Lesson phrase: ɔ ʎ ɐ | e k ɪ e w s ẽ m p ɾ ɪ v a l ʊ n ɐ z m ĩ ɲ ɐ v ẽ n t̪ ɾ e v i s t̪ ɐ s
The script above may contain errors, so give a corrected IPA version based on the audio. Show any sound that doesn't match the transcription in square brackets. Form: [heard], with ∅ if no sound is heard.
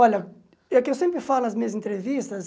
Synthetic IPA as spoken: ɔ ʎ ɐ | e k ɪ e w s ẽ m p ɾ ɪ [f] a l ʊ n ɐ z m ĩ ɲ ɐ [z] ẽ n t̪ ɾ e v i s t̪ ɐ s